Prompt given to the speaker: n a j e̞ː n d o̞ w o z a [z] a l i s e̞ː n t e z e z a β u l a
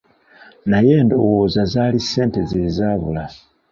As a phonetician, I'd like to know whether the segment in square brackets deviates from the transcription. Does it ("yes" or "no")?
no